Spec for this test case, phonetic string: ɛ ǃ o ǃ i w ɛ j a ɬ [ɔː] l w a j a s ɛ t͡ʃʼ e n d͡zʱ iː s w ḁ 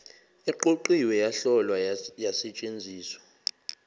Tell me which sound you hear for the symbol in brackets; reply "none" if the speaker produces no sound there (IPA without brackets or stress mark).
ɔ